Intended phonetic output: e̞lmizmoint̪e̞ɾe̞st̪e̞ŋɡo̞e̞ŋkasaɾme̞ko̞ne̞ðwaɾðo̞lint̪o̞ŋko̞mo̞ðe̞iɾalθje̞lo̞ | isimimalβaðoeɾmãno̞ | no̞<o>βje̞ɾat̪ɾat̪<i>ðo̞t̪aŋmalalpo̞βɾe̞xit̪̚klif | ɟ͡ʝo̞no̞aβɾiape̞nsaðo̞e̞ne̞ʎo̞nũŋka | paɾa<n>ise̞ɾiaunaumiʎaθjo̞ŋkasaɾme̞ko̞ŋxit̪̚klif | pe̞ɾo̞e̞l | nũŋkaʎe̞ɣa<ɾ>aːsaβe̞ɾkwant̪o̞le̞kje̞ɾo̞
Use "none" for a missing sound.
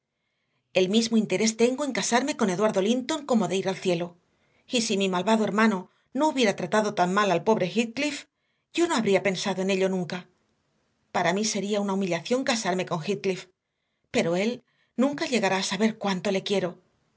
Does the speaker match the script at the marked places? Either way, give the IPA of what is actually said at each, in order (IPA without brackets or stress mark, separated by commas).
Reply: u, a, m, ɾ